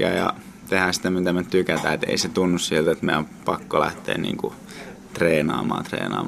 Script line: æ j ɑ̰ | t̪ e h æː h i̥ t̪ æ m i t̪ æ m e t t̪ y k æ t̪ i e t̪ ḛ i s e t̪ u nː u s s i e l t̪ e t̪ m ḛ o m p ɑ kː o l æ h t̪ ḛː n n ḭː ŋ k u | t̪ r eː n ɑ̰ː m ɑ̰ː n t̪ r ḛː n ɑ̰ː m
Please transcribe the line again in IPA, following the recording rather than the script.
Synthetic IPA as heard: æ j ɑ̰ | t̪ e h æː s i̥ t̪ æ m i t̪ æ m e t t̪ y k æ t̪ æ e t̪ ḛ i s e t̪ u nː u s s i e l t̪ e t̪ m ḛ o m p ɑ kː o l æ h t̪ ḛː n n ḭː ŋ k u | t̪ r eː n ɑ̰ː m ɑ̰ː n t̪ r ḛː n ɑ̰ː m